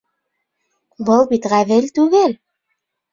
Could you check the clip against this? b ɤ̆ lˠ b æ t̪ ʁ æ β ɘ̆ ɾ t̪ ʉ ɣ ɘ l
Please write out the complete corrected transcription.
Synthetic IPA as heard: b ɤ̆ lˠ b i t̪ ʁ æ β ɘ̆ l t̪ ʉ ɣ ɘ l